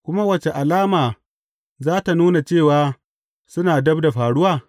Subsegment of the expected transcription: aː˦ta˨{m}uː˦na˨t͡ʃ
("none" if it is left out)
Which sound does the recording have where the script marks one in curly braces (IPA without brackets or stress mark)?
n